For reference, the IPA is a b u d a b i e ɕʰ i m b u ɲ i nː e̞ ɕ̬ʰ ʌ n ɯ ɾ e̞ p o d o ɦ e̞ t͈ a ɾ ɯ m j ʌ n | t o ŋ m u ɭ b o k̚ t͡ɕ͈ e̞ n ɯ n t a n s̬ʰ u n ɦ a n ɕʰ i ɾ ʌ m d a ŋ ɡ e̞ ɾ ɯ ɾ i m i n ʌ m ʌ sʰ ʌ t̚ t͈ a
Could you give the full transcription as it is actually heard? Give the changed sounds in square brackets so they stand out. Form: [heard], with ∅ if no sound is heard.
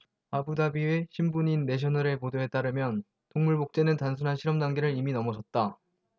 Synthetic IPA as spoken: a b u d a b i e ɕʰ i m b u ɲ i nː e̞ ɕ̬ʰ ʌ n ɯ ɾ e̞ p o d o ɦ e̞ t͈ a ɾ ɯ m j ʌ n | t o ŋ m u ɭ b o k̚ t͡ɕ͈ e̞ n ɯ n t a n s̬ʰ u n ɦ a n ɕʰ i ɾ ʌ m d a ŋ ɡ e̞ ɾ ɯ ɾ i m i n ʌ m ʌ sʰ ʌ t̚ t͈ a